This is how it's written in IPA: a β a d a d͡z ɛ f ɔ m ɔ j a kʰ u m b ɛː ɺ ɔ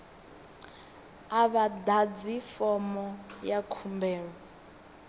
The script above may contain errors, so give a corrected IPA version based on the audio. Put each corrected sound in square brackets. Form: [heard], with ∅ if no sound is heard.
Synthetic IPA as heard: a β a d a d͡z [i] f ɔ m ɔ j a kʰ u m b ɛː ɺ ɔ